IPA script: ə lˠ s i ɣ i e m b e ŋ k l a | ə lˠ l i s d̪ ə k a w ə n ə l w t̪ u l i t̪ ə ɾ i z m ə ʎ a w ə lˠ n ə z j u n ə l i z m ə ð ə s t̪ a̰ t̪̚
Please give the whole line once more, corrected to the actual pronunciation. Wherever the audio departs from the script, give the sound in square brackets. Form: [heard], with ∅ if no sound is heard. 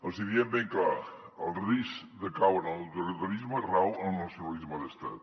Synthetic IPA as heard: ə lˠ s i [ð] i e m b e ŋ k l a | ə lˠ [r] i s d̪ ə k a w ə n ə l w t̪ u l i t̪ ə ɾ i z m ə [r] a w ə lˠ n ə [s] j u n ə l i z m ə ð ə s t̪ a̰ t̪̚